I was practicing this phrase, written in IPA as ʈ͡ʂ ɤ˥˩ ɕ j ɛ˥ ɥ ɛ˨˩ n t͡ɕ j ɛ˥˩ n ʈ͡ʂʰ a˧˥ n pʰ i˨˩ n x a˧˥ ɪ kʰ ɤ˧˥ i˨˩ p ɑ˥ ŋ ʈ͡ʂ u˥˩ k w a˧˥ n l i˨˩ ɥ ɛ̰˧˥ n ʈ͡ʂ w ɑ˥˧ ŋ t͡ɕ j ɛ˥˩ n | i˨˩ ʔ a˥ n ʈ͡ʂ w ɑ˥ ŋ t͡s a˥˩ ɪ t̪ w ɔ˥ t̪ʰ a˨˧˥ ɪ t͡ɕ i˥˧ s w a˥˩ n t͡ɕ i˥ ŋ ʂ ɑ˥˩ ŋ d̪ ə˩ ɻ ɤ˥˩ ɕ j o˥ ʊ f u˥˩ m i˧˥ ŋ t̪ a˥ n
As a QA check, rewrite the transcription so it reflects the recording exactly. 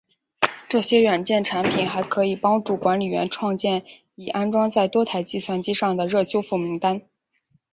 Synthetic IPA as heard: ʈ͡ʂ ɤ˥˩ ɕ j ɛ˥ ɥ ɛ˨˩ n t͡ɕ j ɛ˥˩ n ʈ͡ʂʰ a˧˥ n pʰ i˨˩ n x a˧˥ ɪ kʰ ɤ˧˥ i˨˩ p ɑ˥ ŋ ʈ͡ʂ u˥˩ k w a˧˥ n l i˨˩ ɥ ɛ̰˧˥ n ʈ͡ʂʰ w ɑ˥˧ ŋ t͡ɕ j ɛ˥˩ n | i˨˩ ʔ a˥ n ʈ͡ʂ w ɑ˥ ŋ t͡s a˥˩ ɪ t̪ w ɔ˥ t̪ʰ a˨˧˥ ɪ t͡ɕ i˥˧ s w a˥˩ n t͡ɕ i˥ ʂ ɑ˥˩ ŋ d̪ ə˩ ɻ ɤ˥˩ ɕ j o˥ ʊ f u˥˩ m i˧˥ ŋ t̪ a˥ n